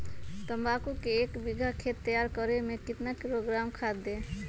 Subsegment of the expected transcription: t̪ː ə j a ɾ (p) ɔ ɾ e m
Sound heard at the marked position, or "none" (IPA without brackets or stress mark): k